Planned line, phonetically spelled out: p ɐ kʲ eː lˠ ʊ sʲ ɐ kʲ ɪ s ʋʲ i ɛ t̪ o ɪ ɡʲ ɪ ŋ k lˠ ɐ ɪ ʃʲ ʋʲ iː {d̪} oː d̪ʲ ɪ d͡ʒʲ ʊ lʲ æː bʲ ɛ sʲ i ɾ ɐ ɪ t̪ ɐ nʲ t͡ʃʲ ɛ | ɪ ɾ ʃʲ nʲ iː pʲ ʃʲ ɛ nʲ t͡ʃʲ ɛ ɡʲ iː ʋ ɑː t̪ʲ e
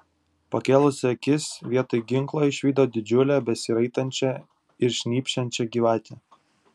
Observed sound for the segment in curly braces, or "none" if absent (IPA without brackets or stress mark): d̪